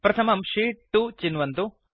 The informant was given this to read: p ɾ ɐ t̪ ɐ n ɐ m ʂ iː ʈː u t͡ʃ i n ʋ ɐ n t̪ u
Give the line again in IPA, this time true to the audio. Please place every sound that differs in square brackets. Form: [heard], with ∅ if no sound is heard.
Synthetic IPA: p ɾ ɐ [t̪ʰ] ɐ [m] ɐ m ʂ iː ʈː u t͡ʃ i n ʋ ɐ n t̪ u